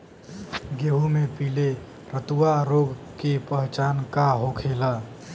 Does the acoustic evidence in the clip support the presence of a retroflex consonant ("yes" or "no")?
no